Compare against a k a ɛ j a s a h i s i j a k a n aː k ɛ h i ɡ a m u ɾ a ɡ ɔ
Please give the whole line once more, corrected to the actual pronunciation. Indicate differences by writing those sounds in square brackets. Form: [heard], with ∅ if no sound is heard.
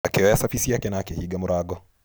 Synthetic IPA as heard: a k [ɛ] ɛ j a s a [f] i s i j a k [ɛ] n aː k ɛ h i ɡ a m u ɾ a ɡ ɔ